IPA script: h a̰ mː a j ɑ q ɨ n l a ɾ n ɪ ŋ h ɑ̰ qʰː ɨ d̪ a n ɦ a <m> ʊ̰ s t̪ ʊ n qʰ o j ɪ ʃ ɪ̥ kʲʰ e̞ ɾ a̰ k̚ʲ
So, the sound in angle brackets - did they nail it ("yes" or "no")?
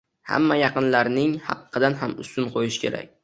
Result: yes